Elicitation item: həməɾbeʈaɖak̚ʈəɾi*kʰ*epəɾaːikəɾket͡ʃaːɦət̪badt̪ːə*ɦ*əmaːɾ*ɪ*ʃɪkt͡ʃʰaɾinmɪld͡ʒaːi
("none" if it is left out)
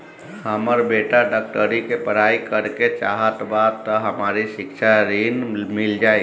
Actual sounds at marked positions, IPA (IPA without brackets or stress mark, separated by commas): k, ɦ, i